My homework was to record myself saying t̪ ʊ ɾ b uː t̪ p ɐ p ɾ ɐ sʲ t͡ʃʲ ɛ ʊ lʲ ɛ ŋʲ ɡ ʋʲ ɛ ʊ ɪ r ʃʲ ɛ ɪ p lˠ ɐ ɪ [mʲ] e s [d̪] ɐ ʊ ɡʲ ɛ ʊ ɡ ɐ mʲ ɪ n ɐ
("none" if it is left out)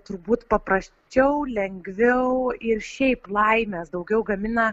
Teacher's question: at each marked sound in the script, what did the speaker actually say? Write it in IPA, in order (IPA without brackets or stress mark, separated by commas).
mʲ, d̪